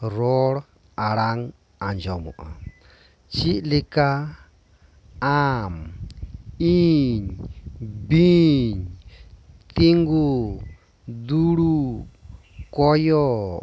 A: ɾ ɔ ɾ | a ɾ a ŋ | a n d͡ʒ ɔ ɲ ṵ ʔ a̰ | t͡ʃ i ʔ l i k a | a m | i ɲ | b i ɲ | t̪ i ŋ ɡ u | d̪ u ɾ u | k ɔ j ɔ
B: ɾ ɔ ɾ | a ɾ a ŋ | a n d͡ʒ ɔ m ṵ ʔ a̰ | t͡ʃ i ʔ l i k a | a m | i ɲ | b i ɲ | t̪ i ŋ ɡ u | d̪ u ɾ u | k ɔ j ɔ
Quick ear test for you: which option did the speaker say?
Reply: B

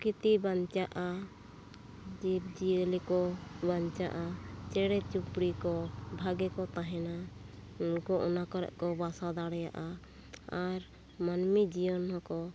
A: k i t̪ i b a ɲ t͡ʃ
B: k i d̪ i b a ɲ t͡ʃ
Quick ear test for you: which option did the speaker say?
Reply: A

